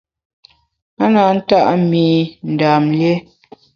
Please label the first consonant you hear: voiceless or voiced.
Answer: voiced